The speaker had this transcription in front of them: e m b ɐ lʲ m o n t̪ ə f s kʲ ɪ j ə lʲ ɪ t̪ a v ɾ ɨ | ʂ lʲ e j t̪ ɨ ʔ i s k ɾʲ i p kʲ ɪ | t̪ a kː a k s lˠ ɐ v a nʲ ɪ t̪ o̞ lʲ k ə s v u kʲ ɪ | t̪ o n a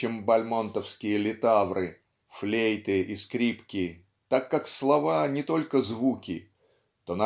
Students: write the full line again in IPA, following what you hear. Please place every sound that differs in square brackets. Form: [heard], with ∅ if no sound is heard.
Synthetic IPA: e m b ɐ lʲ m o n t̪ ə f s kʲ ɪ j ə lʲ ɪ t̪ a v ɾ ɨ | [f] lʲ e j t̪ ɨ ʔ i s k ɾʲ i p kʲ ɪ | t̪ a kː a k s lˠ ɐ v a nʲ ɪ t̪ o̞ lʲ k ə [z] v u kʲ ɪ | t̪ o n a